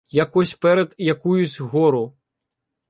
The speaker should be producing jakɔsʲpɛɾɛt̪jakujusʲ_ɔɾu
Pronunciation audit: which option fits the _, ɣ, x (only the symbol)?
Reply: ɣ